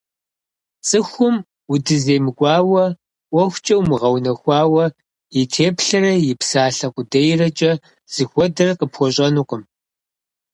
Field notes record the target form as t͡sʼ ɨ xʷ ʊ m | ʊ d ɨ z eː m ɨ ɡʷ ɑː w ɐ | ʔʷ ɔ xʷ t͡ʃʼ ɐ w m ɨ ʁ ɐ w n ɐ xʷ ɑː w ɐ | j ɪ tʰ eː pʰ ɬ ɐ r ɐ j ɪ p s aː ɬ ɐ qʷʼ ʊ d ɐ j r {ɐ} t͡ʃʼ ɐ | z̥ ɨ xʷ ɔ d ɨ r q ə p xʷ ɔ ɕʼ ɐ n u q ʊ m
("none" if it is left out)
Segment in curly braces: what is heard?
ɐ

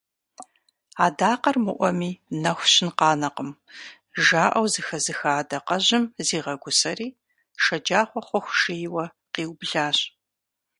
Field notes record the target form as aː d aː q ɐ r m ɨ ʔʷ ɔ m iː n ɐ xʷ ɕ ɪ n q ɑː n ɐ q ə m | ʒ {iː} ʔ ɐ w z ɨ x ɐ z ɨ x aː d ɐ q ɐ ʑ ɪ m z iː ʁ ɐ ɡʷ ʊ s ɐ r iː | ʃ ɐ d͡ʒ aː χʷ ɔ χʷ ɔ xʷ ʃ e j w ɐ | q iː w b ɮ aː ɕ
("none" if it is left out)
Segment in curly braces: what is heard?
aː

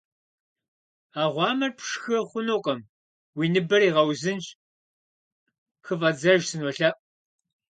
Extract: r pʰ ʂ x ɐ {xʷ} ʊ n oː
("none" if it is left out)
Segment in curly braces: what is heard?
χʷ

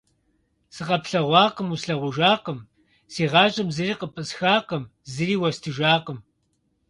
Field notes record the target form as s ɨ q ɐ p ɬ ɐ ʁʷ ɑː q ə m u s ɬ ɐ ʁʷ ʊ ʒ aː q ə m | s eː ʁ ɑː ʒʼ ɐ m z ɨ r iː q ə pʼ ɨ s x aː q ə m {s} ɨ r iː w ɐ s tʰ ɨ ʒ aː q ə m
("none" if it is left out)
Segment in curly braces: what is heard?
z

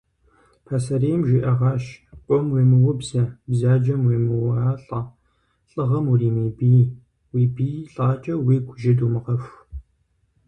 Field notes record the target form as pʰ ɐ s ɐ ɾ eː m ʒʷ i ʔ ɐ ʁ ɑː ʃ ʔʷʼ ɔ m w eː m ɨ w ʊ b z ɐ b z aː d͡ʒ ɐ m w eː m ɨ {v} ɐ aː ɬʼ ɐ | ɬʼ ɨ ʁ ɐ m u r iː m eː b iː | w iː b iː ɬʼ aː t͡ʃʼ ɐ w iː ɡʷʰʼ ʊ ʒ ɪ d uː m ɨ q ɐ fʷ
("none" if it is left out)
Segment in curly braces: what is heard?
w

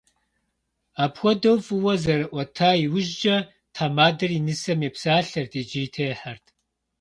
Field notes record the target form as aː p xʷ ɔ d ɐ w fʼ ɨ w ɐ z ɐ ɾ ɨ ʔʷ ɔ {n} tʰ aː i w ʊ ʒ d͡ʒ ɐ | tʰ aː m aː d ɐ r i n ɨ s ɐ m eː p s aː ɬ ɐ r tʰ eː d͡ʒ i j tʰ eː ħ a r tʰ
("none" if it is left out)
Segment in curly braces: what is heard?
none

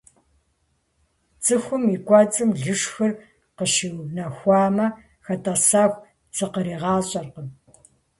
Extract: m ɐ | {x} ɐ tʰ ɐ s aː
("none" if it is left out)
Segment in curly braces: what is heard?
x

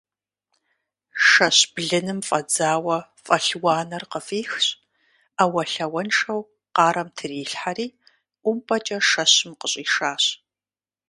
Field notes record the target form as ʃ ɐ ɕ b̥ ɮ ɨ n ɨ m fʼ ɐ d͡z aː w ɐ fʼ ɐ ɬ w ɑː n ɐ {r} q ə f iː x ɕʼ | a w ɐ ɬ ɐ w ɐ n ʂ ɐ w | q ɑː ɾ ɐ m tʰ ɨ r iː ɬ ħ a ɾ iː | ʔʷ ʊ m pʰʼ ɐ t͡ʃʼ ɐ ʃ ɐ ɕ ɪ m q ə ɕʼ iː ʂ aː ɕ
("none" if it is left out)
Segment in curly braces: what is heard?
r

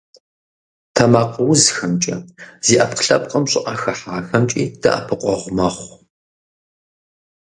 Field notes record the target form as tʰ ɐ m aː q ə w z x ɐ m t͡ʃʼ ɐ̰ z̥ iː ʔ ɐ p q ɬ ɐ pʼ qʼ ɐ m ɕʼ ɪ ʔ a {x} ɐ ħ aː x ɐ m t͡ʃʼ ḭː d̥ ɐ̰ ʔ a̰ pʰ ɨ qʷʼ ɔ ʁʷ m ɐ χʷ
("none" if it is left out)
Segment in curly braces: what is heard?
x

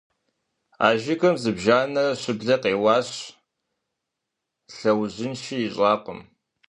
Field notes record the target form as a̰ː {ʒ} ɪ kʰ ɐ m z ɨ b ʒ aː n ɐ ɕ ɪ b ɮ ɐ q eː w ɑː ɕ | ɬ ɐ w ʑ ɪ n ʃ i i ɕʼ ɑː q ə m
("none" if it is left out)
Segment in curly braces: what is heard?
ʒ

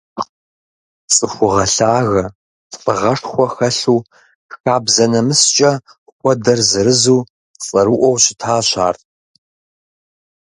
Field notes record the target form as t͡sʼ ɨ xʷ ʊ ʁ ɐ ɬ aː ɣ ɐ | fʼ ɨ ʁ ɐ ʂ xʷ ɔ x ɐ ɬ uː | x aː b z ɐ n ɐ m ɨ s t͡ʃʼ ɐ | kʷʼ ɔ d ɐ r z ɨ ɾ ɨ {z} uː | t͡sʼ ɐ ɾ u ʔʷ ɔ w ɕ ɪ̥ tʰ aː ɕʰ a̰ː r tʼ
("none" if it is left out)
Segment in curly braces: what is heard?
z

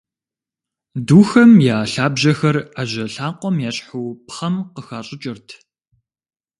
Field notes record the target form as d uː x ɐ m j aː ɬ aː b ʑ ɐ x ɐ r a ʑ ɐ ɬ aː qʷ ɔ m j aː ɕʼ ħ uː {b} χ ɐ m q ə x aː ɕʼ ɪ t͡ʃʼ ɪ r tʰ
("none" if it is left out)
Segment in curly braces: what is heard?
p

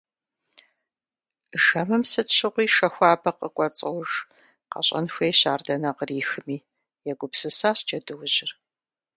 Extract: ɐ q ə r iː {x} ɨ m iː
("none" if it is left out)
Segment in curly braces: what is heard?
x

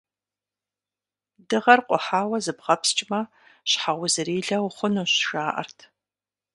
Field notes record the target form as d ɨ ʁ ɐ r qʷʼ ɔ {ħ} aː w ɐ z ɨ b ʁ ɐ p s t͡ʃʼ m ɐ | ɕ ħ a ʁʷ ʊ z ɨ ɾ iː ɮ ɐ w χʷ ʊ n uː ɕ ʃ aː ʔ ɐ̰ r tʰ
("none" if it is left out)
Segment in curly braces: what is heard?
ħ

